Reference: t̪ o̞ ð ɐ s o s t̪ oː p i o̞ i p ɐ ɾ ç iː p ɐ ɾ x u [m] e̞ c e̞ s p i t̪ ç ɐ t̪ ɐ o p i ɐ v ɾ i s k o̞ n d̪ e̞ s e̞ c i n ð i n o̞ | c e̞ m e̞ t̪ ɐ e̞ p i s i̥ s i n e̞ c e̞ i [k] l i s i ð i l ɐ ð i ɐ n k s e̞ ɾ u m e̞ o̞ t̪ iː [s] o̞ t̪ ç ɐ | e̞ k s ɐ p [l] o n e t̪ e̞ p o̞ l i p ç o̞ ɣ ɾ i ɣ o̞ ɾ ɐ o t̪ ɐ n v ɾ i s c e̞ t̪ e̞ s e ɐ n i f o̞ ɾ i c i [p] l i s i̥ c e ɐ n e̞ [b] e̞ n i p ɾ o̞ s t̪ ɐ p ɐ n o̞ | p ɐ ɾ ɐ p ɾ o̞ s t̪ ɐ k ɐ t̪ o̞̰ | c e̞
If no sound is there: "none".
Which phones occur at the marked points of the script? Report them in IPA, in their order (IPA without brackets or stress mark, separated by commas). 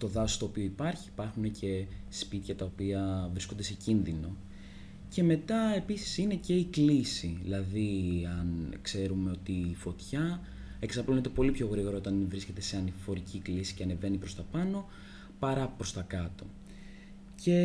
n, k, f, l, k, v